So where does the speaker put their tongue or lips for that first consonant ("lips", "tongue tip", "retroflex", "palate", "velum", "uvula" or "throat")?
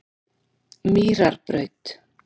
lips